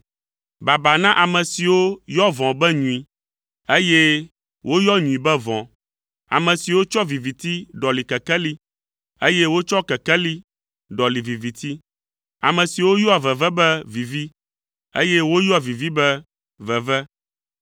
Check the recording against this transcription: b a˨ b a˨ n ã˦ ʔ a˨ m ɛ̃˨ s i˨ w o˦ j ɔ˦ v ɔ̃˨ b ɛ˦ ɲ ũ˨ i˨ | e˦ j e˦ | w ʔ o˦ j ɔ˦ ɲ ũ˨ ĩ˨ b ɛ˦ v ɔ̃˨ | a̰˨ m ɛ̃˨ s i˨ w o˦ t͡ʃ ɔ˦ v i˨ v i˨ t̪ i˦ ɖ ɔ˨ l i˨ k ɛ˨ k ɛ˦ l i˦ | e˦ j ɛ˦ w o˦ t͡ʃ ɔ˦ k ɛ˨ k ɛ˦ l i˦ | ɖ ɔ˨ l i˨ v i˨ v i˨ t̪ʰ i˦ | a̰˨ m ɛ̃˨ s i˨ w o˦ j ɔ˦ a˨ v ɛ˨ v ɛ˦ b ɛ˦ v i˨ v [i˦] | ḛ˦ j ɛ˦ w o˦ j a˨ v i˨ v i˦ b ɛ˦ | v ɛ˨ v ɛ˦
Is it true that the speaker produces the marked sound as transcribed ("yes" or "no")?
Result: yes